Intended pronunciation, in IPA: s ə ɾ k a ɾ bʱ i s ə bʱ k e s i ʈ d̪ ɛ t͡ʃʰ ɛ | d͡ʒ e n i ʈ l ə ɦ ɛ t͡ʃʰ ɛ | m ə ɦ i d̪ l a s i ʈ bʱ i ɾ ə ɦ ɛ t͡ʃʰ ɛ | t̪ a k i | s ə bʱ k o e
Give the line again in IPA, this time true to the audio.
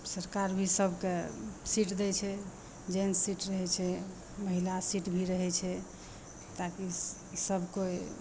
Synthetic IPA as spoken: s ə ɾ k a ɾ bʱ i s ə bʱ k e s i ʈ d̪ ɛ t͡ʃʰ ɛ | d͡ʒ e n i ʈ ɾ ə ɦ ɛ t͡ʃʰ ɛ | m ə ɦ i l a s i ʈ bʱ i ɾ ə ɦ ɛ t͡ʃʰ ɛ | t̪ a k i | s ə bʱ k o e